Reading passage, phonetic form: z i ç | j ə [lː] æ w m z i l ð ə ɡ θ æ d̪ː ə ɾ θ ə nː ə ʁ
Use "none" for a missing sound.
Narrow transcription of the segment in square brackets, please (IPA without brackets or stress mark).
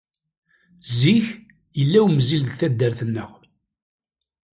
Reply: lː